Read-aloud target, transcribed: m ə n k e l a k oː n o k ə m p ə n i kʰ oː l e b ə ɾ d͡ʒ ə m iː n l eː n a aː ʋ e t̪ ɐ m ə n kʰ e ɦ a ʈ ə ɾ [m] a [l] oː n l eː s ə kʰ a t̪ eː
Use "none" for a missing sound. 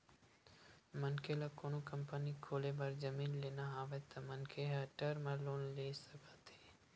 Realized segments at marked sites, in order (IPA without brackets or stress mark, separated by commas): m, l